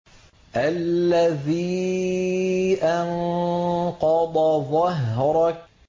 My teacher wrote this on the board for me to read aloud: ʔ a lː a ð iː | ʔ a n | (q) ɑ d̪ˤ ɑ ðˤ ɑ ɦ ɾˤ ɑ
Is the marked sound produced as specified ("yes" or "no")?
yes